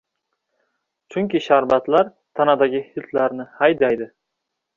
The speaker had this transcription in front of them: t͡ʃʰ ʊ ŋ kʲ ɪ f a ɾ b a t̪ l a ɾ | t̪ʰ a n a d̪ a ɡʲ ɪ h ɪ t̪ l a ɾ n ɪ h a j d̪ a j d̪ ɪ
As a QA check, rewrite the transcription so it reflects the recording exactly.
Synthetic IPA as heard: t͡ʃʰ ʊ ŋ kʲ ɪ ʃ a ɾ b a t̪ l a ɾ | t̪ʰ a n a d̪ a ɡʲ ɪ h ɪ t̪ l a ɾ n ɪ h a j d̪ a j d̪ ɪ